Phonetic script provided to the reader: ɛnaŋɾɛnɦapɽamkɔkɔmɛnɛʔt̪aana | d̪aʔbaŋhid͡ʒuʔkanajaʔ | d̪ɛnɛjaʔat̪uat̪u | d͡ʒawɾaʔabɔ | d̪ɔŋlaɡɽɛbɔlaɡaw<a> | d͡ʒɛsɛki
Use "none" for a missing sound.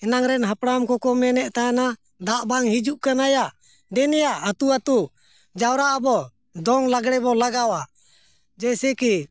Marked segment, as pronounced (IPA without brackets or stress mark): a